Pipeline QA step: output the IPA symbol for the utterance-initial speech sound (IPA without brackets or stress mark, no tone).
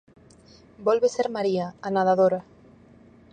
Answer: b